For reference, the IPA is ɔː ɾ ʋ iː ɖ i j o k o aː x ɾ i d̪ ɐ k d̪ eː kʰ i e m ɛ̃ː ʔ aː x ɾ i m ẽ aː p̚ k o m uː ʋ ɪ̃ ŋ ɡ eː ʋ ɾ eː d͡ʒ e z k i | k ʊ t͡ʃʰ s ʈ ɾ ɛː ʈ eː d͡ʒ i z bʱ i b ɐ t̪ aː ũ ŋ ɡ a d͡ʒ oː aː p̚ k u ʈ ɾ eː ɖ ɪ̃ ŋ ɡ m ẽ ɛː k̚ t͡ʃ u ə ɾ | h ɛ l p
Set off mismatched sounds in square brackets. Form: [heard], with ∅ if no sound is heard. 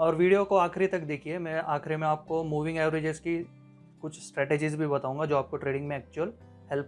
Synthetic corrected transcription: ɔː ɾ ʋ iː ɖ i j o k o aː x ɾ i [t̪] ɐ k d̪ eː kʰ i e m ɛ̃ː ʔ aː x ɾ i m ẽ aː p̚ k o m uː ʋ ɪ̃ ŋ ɡ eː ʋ ɾ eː d͡ʒ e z k i | k ʊ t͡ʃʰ s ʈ ɾ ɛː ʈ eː d͡ʒ i z bʱ i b ɐ t̪ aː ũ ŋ ɡ a d͡ʒ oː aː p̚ k [o] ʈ ɾ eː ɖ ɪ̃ ŋ ɡ m ẽ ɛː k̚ t͡ʃ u ə [l] | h ɛ l p